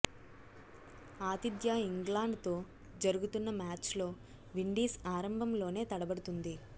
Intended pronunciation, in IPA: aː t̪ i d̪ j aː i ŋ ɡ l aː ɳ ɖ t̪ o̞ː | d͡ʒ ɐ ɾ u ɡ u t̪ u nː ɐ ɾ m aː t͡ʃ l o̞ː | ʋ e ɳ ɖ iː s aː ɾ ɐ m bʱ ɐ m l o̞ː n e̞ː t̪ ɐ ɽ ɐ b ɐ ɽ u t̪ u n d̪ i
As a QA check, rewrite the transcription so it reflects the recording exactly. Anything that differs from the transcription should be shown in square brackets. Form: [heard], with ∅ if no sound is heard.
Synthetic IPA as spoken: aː t̪ i d̪ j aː i ŋ ɡ l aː ɳ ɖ t̪ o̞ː | d͡ʒ ɐ ɾ u ɡ u t̪ u nː ɐ [∅] m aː t͡ʃ l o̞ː | ʋ [i] ɳ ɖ iː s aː ɾ ɐ m bʱ ɐ m l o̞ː n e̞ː t̪ ɐ ɽ ɐ b ɐ ɽ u t̪ u n d̪ i